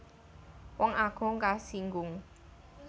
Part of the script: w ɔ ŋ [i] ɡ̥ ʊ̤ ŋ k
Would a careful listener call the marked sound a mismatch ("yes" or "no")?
yes